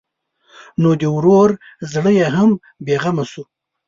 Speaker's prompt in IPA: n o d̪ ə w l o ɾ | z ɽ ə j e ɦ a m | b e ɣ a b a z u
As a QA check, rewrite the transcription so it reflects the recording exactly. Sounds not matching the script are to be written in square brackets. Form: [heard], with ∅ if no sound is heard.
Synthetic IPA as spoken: n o d̪ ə w [ɾ] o ɾ | z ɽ ə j e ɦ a m | b e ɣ a [m] a [s] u